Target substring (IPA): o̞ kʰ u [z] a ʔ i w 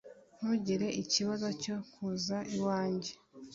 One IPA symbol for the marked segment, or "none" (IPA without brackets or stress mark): z